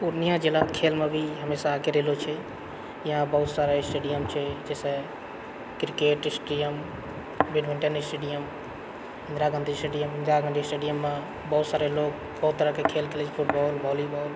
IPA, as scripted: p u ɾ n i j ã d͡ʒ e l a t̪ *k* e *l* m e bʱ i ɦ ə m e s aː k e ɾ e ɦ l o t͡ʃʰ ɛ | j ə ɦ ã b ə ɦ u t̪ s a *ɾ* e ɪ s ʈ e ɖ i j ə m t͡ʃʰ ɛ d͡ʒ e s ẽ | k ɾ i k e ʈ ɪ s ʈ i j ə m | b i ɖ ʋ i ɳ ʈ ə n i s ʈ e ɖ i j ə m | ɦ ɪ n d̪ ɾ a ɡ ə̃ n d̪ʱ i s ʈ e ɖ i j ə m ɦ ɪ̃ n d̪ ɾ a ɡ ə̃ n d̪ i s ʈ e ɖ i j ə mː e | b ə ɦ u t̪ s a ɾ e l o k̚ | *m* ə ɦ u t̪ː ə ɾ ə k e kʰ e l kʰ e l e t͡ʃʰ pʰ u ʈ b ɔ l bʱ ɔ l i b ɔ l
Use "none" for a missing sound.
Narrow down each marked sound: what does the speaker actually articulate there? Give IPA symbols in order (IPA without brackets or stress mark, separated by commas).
kʰ, l, ɾ, b